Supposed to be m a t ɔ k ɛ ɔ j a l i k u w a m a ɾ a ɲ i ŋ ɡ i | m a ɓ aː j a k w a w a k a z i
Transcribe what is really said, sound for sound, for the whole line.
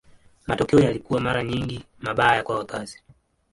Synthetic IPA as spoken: m a t ɔ k ɛ ɔ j a l i k u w a m a ɾ a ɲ i ŋ ɡ i | m a ɓ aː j a k w a w a k a z i